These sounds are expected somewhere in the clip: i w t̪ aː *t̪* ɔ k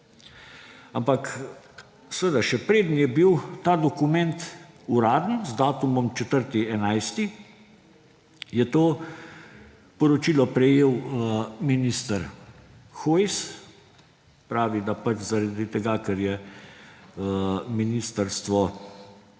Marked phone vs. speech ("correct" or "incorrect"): incorrect